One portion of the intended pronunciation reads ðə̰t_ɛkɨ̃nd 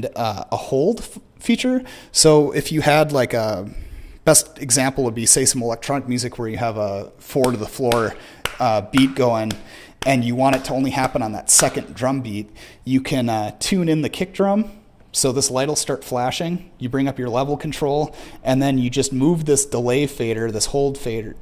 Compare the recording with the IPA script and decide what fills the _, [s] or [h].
s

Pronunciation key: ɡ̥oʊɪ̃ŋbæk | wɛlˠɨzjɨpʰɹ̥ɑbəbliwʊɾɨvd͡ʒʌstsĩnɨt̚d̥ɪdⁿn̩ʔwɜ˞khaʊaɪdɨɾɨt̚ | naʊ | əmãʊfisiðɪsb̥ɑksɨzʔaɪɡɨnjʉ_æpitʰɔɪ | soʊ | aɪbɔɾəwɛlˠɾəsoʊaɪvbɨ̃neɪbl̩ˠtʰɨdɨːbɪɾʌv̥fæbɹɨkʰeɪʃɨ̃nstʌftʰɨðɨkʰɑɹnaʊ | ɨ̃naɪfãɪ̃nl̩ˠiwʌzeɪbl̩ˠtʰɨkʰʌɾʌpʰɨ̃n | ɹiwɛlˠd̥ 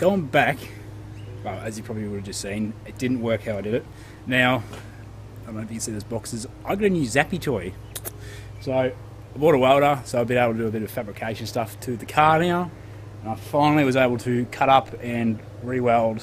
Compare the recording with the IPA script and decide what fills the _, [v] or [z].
z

